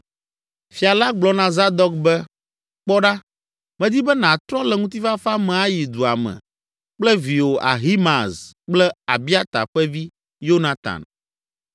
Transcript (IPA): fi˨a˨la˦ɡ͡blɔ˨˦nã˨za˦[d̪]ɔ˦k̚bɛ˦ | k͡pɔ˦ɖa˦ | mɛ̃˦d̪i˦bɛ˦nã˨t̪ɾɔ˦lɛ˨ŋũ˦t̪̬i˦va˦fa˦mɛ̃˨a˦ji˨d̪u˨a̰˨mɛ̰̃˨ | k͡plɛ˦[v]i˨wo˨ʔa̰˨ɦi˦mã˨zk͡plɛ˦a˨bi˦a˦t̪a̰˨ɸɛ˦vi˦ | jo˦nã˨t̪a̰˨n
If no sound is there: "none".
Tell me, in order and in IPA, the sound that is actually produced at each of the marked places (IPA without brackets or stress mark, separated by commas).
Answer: d̪, v